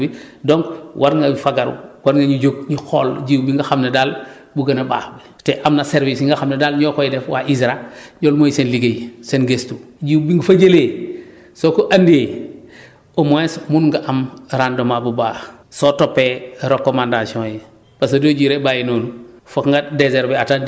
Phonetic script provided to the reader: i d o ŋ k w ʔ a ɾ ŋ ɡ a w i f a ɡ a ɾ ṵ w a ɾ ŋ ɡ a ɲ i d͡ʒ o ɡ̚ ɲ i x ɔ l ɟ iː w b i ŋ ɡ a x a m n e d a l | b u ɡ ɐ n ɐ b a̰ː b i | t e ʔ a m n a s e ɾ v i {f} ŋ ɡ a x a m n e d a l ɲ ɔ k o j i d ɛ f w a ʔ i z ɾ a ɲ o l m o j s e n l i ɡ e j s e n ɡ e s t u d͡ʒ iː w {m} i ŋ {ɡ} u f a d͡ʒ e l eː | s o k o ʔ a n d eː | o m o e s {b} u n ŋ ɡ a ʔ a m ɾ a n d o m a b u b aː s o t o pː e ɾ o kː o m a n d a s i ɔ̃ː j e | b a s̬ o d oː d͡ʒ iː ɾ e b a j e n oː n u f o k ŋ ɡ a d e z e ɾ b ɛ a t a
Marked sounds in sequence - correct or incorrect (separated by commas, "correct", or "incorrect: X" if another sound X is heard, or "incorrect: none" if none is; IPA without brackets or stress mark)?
incorrect: s, incorrect: b, correct, incorrect: m